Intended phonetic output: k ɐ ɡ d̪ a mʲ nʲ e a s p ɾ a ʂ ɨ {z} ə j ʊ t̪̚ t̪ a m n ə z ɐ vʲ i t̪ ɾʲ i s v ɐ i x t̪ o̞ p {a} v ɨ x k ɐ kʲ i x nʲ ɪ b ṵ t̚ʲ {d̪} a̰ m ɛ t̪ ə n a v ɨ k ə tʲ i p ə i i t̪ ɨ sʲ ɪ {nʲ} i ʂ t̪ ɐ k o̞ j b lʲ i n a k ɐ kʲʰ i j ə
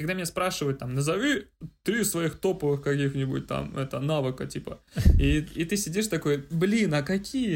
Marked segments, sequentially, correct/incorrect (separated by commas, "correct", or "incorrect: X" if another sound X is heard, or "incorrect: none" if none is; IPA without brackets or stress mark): incorrect: v, incorrect: ə, incorrect: t̪, incorrect: dʲ